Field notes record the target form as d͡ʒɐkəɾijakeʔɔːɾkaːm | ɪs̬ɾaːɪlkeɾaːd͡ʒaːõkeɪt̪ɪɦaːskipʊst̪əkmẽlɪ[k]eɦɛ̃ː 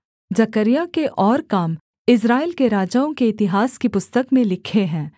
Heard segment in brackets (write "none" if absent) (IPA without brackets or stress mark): kʰ